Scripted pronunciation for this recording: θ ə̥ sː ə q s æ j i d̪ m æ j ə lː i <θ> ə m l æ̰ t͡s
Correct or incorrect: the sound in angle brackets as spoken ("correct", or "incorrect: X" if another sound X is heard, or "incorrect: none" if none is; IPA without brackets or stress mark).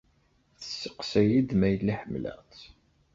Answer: incorrect: ħ